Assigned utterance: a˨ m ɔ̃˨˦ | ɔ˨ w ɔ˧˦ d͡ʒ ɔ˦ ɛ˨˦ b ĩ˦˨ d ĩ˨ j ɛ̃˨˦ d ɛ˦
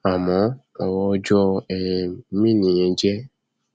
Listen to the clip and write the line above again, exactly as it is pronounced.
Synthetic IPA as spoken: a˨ m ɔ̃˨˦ | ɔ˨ w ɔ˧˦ d͡ʒ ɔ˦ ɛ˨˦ m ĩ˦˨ n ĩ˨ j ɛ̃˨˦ d͡ʒ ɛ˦